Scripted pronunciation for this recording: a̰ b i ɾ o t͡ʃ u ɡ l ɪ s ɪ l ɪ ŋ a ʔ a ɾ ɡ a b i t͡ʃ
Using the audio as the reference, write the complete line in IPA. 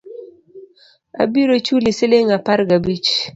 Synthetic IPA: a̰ b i ɾ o t͡ʃ u l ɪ s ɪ l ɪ ŋ a p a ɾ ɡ a b i t͡ʃ